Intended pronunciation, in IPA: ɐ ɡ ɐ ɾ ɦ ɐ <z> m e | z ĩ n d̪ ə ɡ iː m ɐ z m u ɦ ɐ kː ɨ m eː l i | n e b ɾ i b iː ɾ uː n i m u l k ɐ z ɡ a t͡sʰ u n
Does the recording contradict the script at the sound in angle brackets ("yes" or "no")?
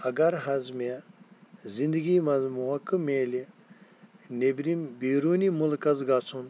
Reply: no